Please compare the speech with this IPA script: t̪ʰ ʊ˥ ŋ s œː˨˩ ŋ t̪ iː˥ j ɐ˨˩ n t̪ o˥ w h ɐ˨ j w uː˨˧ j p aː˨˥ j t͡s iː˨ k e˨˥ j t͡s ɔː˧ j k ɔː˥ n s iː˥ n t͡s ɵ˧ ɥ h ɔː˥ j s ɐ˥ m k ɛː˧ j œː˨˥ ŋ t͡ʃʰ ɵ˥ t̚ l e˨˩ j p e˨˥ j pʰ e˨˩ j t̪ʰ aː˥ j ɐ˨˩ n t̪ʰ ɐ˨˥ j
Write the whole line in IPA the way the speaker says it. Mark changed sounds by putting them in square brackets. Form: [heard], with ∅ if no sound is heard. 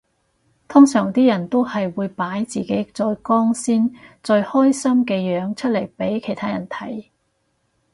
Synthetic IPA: t̪ʰ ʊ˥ ŋ s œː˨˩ ŋ t̪ iː˥ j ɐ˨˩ n t̪ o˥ w h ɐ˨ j w uː˨˧ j p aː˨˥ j t͡s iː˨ k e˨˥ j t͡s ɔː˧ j k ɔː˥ [ŋ] s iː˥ n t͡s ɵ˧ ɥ h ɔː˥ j s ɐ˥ m k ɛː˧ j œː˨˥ ŋ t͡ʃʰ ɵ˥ t̚ l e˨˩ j p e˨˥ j [kʰ] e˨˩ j t̪ʰ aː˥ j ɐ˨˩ n t̪ʰ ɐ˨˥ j